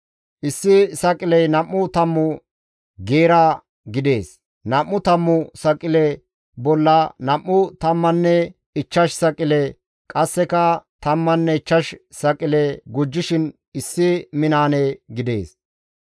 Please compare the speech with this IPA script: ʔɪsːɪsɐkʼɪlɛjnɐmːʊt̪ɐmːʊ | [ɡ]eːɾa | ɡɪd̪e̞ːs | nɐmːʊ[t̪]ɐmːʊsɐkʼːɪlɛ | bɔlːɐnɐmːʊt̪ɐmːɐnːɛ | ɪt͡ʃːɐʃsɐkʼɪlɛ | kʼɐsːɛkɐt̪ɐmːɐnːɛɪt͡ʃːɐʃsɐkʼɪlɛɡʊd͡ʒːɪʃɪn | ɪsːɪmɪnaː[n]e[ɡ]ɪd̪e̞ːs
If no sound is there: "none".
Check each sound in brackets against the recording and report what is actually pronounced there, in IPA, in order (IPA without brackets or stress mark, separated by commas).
ɡ, t̪, n, ɡ